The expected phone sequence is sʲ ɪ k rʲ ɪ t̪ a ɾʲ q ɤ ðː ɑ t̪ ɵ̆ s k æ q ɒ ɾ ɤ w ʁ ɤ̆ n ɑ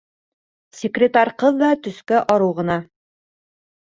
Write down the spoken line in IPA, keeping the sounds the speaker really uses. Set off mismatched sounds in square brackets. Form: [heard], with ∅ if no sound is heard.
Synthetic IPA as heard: sʲ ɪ k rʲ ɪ t̪ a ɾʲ q ɤ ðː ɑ t̪ ɵ̆ s k æ [ʔ] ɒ ɾ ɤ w ʁ ɤ̆ n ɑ